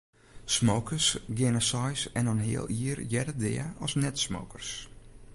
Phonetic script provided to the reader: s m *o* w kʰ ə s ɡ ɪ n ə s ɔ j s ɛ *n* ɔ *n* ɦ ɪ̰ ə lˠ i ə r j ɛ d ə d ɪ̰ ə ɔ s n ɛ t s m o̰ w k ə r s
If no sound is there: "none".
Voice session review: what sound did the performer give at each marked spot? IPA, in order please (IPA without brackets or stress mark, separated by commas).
o, n, n